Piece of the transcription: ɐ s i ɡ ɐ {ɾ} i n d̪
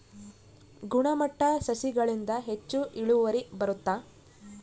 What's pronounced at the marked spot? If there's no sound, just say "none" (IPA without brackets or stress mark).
ɭ